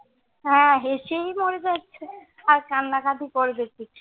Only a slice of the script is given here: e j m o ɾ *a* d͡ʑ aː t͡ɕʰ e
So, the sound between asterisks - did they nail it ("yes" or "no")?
no